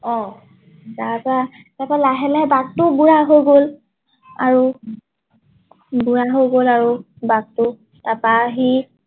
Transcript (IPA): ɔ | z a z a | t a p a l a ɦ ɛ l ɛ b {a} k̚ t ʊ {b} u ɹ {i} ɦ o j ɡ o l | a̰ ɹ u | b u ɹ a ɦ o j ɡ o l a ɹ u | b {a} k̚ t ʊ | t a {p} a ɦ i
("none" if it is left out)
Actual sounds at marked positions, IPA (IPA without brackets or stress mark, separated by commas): a, b, a, a, p